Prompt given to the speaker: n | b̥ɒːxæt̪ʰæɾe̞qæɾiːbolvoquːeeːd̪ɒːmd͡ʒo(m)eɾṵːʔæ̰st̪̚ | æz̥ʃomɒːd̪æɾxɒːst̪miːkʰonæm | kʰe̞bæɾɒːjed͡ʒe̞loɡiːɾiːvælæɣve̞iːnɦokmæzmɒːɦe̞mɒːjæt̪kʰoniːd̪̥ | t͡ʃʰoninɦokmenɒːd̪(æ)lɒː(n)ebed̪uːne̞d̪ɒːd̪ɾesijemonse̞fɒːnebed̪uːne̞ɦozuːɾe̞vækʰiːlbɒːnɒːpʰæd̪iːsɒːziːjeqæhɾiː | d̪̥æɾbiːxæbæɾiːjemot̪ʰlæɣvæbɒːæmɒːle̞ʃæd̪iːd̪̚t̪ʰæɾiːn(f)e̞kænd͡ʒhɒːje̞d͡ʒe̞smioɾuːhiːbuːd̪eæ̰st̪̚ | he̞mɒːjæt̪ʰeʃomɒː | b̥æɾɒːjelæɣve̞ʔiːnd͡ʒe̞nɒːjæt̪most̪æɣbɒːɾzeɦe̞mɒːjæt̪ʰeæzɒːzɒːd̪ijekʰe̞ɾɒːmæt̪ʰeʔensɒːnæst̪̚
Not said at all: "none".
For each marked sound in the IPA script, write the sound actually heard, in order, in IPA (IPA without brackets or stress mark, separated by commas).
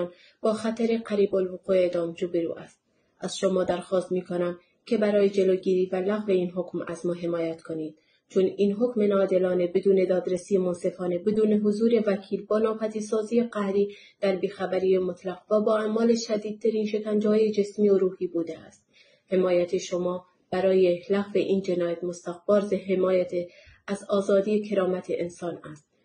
b, e, n, ʃ